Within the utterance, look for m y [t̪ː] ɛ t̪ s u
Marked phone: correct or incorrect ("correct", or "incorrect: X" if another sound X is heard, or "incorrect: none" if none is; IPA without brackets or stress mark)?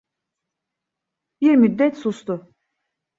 incorrect: d̪ː